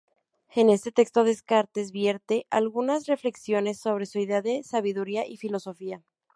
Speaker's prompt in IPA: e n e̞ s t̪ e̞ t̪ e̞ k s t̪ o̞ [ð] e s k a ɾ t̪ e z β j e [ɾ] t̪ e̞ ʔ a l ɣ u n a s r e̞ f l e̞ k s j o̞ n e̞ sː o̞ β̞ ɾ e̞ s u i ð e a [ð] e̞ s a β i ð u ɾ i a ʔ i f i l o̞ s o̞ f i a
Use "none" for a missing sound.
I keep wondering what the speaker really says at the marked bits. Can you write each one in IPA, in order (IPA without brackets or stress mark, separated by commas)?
ð, ɾ, ð